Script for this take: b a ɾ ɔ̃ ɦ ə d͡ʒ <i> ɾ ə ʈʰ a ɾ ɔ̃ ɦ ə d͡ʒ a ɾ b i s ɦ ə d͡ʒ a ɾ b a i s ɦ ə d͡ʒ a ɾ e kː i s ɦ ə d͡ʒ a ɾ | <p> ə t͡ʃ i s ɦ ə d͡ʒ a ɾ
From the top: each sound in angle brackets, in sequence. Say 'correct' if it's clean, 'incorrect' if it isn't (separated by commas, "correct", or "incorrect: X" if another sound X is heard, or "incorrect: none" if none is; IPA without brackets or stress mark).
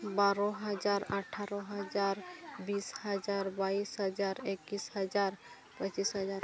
incorrect: a, correct